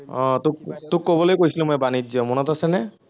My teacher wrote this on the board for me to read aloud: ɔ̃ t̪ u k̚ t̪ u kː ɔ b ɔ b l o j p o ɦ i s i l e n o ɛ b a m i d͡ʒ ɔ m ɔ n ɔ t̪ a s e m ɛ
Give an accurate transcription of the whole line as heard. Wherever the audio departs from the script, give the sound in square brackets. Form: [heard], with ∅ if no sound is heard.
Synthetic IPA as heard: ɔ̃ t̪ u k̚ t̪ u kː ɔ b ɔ [∅] l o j [k] o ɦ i s i l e [m] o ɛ b a [n] i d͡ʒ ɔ m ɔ n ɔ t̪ a s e [n] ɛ

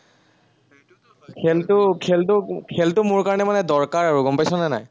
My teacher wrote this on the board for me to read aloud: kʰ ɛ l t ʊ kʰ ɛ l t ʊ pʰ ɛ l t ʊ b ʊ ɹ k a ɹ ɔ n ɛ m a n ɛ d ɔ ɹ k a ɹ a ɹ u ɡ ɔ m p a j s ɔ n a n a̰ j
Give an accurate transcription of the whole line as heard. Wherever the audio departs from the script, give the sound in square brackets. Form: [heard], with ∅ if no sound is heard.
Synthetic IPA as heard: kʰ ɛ l t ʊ kʰ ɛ l t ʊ [kʰ] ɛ l t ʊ [m] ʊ ɹ k a ɹ ɔ n ɛ m a n ɛ d ɔ ɹ k a ɹ a ɹ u ɡ ɔ m p a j s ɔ n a n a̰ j

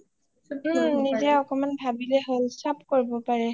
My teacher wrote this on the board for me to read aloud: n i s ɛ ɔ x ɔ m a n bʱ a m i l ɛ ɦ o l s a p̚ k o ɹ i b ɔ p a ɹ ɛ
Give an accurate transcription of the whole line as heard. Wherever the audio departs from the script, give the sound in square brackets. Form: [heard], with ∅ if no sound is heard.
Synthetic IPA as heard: n i [z] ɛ ɔ [k] ɔ m a n bʱ a [b] i l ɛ ɦ o l s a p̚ k o ɹ i b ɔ p a ɹ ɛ

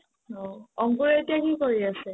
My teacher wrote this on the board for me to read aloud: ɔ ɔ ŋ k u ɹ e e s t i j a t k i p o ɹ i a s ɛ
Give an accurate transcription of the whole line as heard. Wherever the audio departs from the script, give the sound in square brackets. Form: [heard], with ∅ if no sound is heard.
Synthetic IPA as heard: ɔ ɔ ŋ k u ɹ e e [∅] t i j a [∅] k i [k] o ɹ i a s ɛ

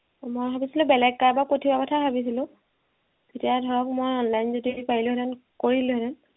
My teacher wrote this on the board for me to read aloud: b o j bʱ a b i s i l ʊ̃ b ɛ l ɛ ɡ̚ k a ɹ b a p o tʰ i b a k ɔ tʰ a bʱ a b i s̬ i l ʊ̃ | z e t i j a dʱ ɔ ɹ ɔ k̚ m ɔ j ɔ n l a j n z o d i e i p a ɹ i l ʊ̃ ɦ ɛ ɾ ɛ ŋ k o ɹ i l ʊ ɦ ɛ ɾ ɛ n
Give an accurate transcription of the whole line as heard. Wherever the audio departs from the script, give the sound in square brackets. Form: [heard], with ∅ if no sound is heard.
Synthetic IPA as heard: [m] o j bʱ a b i s i l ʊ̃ b ɛ l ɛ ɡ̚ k a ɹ b a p o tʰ i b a k ɔ tʰ a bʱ a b i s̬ i l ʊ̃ | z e t i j a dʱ ɔ ɹ ɔ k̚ m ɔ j ɔ n l a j n z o d i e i p a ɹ i l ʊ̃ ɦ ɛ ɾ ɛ [n] k o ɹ i l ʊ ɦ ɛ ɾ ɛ n

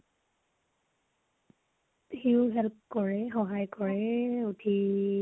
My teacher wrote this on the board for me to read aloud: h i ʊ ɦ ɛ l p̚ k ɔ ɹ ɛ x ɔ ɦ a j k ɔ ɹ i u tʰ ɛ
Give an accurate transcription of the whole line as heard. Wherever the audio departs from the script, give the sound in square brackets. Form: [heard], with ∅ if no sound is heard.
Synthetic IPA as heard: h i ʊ ɦ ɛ l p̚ k ɔ ɹ ɛ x ɔ ɦ a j k ɔ ɹ [ɛ] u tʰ [i]

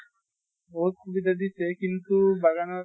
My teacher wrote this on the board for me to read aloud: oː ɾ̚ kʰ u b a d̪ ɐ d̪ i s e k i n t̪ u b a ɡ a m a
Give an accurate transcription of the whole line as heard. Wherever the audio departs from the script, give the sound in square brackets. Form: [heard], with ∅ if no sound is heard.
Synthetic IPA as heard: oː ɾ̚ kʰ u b [i] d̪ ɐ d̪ i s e k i n t̪ u b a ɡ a [n] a

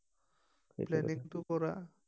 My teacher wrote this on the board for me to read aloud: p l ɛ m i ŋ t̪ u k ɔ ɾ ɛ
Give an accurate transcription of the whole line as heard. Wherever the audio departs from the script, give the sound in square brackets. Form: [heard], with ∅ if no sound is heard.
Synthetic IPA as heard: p l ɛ [n] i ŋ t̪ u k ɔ ɾ [a]

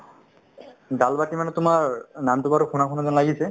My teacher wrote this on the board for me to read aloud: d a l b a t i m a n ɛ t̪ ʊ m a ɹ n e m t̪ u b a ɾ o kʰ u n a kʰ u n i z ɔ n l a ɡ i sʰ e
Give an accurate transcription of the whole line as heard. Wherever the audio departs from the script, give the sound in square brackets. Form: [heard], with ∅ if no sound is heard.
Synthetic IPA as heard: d a l b a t i m a n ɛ t̪ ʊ m a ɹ n [a] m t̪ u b a ɾ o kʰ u n a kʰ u n [a] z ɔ n l a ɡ i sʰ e

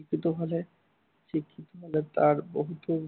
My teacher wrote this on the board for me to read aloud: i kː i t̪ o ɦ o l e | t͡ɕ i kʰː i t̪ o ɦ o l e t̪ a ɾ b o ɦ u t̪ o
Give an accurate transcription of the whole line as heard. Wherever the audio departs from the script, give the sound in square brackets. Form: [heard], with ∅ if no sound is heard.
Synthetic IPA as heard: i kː i t̪ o ɦ o l e | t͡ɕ i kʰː i t̪ o ɦ o l e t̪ a ɾ b o ɦ u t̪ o

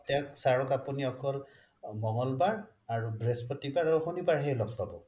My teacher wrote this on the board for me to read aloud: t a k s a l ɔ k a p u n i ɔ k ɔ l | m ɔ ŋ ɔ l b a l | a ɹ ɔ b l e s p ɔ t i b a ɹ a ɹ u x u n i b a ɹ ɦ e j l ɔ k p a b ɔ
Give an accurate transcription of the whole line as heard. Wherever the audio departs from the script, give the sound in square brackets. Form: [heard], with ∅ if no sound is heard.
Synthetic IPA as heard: t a k s a [ɹ] ɔ k a p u n i ɔ k ɔ l | m ɔ ŋ ɔ l b a [ɹ] | a ɹ [u] b [ɹ] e s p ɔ t i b a ɹ a ɹ u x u n i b a ɹ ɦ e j l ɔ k p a b ɔ

